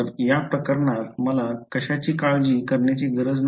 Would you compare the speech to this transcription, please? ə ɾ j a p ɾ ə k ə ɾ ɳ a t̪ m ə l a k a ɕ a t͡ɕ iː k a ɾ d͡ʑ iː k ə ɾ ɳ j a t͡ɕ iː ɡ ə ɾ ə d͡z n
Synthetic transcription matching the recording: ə ɾ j a p ɾ ə k ə ɾ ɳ a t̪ m ə l a k ə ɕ a t͡ɕ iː k a ɭ d͡ʑ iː k ə ɾ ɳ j a t͡ɕ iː ɡ ə ɾ ə d͡z n